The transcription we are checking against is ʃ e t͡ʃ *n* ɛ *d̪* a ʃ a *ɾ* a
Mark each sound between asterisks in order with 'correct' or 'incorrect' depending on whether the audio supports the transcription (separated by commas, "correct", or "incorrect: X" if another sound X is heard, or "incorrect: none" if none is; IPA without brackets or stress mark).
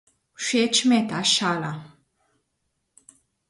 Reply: incorrect: m, incorrect: t̪, incorrect: l